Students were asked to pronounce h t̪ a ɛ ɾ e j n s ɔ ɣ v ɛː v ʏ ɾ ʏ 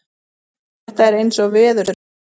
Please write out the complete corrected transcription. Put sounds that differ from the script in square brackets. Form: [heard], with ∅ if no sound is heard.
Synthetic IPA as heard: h t̪ a ɛ ɾ e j n s ɔ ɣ v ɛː [ð] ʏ ɾ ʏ